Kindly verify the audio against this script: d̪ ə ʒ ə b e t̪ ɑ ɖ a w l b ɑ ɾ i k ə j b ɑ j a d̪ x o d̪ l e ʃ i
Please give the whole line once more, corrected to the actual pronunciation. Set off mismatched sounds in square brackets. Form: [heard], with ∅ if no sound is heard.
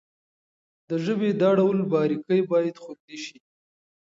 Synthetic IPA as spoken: d̪ ə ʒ ə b e [d̪] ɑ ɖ a w l b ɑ ɾ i k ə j b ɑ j a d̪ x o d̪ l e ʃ i